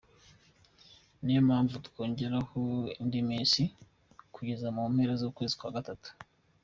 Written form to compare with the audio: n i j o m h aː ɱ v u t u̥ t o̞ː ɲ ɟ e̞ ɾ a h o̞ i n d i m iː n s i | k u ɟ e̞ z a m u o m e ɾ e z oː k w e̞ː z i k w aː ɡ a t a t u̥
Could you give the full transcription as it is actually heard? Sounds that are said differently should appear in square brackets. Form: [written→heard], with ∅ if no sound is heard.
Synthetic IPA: n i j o m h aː ɱ v u t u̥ [t→k] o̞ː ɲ ɟ e̞ ɾ a h o̞ i n d i m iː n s i | k u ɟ e̞ z a m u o m e ɾ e z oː k w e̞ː z i k w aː ɡ a t a t u̥